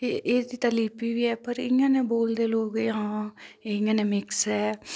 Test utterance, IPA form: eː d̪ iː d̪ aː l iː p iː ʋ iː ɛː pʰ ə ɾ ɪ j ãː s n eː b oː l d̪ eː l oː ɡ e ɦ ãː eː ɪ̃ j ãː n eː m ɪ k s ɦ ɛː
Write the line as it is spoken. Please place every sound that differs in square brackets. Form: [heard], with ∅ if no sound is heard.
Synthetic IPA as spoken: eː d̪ iː [t̪] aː l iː p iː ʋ iː ɛː [p] ə ɾ ɪ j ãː [∅] n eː b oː l d̪ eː l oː ɡ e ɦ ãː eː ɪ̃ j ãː n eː m ɪ k s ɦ ɛː